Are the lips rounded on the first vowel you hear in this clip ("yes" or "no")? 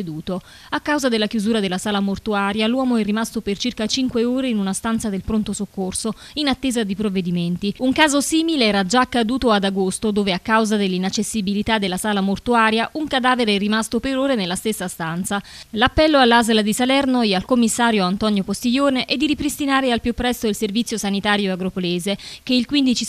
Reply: yes